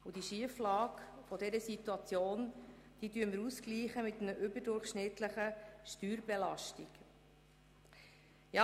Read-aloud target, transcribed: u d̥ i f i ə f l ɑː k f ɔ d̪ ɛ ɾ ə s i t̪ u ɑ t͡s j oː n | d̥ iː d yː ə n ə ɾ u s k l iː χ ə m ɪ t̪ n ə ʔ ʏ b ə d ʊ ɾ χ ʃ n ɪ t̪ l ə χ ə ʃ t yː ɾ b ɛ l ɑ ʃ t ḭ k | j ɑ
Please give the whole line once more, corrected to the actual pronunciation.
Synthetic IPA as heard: u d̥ i ʃ i ə f l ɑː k f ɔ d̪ ɛ ɾ ə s i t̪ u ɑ t͡s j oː n | d̥ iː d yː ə m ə ɾ u s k l iː χ ə m ɪ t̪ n ə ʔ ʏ b ə d ʊ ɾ χ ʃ n ɪ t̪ l ə χ ə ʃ t yː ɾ b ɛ l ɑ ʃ t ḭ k | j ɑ